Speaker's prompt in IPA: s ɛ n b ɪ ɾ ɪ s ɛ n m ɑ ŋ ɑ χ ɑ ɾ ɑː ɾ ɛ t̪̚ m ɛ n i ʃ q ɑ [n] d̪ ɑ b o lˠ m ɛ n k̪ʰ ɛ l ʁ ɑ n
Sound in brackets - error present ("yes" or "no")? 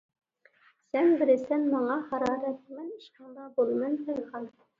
yes